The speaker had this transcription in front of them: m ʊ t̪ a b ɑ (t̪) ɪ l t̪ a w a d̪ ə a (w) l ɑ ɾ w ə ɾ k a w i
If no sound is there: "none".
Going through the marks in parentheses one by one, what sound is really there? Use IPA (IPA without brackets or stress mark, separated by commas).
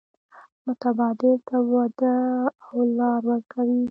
d̪, w